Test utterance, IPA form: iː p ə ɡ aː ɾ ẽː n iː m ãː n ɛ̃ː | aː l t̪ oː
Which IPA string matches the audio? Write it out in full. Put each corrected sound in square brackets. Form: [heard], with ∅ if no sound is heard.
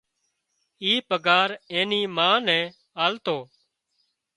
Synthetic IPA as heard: iː p ə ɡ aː ɾ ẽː n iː m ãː n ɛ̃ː | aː l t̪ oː